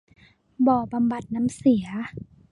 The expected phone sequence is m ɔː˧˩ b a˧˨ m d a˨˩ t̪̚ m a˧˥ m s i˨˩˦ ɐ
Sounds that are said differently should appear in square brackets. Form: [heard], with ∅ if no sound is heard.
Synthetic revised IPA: [b] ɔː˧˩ b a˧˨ m [b] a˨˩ t̪̚ [n] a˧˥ m s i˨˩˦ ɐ